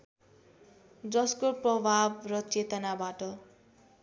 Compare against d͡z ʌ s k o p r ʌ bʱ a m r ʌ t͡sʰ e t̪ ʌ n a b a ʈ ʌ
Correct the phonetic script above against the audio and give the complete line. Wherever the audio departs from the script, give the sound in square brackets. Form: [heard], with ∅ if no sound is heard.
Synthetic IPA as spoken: d͡z ʌ s k o p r ʌ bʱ a [b] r ʌ [t͡s] e t̪ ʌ n a b a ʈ ʌ